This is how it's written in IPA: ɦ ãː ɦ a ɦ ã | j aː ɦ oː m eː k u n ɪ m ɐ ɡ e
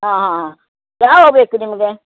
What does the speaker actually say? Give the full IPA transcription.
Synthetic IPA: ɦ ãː ɦ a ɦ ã | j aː ɦ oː b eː k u n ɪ m ɐ ɡ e